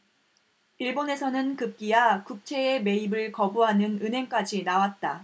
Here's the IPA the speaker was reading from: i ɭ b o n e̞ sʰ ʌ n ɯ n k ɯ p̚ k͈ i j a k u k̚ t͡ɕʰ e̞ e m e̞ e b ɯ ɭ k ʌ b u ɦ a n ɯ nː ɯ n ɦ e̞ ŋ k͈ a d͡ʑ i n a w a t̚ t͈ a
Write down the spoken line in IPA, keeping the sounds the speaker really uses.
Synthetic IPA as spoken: i ɭ b o n e̞ sʰ ʌ n ɯ n k ɯ p̚ k͈ i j a k u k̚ t͡ɕʰ e̞ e m e̞ i b ɯ ɭ k ʌ b u ɦ a n ɯ n ɯ n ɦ e̞ ŋ k͈ a d͡ʑ i n a w a t̚ t͈ a